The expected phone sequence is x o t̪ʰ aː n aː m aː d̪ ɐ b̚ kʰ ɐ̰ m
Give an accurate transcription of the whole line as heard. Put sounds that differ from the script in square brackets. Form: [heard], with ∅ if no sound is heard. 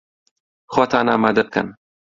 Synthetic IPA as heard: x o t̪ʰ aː n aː m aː d̪ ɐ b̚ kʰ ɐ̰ [n]